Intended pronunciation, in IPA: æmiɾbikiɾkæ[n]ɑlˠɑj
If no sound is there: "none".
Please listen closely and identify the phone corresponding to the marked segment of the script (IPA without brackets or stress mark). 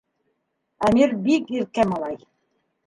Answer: m